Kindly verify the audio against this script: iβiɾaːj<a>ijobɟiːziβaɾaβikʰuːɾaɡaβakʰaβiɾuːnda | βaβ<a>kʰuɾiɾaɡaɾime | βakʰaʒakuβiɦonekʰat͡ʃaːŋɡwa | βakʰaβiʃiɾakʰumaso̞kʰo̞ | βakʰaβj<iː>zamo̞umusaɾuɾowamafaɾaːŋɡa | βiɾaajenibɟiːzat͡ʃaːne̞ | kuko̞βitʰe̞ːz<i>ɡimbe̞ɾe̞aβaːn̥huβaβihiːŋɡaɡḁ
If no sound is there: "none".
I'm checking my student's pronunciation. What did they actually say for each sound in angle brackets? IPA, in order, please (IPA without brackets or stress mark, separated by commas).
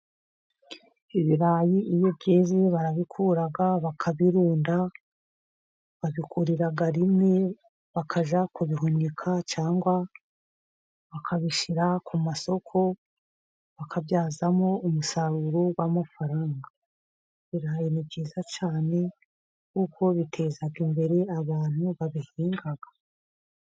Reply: i, i, aː, a